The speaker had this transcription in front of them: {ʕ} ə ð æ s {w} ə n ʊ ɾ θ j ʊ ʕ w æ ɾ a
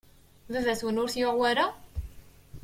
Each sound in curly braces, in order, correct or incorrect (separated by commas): incorrect, correct